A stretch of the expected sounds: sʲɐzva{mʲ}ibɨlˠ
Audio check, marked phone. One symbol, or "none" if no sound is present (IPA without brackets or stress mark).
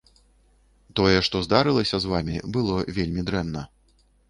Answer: mʲ